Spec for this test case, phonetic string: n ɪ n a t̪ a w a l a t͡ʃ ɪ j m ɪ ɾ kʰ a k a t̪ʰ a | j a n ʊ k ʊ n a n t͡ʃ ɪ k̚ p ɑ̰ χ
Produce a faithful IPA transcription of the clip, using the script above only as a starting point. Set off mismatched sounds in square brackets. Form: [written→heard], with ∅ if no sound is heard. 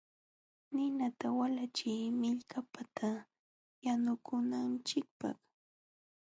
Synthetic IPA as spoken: n ɪ n a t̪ a w a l a t͡ʃ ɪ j m ɪ [ɾ→ʎ] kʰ a [k→p] a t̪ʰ a | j a n ʊ k ʊ n a n t͡ʃ ɪ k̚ p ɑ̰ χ